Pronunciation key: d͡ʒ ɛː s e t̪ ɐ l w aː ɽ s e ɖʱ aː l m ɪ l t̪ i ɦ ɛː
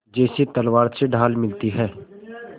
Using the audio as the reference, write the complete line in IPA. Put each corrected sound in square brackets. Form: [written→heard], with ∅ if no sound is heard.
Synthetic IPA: d͡ʒ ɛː s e t̪ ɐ l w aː [ɽ→ɾ] s e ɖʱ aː l m ɪ l t̪ i ɦ ɛː